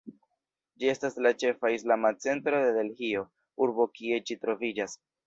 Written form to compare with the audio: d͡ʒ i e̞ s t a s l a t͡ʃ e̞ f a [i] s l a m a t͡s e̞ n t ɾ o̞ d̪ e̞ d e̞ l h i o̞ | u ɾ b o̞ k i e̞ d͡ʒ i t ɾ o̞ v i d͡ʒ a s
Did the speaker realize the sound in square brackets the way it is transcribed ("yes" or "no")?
yes